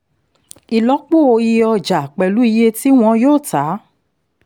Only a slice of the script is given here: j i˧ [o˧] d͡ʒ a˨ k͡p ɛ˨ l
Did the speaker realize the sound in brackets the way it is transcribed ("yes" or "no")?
no